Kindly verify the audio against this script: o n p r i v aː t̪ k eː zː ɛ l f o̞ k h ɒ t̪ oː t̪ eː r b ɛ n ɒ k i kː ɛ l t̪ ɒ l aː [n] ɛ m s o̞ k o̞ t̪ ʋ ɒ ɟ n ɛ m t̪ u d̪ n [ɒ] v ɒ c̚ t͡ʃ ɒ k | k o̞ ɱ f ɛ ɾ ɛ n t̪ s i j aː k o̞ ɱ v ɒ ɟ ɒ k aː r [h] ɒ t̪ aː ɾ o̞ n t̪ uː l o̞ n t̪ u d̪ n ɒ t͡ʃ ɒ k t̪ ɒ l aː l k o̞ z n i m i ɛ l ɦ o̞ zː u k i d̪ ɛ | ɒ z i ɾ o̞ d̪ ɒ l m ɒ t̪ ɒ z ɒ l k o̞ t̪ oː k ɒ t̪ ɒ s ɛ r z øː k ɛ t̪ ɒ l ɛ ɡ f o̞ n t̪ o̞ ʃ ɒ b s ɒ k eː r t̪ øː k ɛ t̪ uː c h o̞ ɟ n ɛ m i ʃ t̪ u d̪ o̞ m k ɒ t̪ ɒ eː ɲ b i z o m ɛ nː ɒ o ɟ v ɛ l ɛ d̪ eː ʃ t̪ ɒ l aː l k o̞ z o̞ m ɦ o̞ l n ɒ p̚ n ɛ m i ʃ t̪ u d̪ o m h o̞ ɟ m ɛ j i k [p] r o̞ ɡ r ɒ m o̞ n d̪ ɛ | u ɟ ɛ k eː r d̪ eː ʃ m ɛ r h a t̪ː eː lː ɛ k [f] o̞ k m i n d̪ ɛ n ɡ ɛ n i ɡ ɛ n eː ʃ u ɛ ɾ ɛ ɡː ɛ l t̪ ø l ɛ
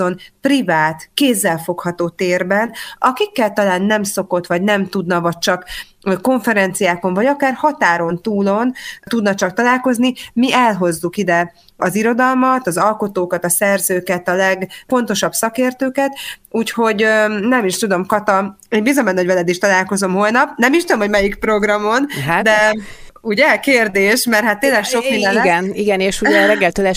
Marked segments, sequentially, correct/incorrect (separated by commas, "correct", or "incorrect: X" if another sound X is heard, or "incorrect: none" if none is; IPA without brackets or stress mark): incorrect: nː, correct, correct, correct, incorrect: ʃ